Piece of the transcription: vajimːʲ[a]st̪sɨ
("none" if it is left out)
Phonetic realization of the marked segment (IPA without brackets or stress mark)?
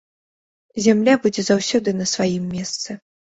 ɛ